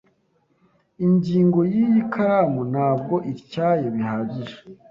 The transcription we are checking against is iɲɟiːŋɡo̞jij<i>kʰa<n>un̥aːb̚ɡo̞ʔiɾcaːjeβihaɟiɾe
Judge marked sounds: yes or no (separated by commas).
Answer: yes, no